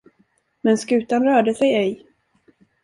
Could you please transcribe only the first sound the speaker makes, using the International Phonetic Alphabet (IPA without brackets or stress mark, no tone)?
m